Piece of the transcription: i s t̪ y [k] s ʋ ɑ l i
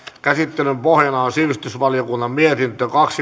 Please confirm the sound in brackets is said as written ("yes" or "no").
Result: no